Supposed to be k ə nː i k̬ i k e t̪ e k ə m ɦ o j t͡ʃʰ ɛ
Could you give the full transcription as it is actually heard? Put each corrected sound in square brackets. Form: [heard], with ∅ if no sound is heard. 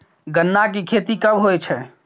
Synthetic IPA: [ɡ] ə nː [a] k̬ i [kʰ] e t̪ [i] k ə [b] ɦ o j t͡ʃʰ ɛ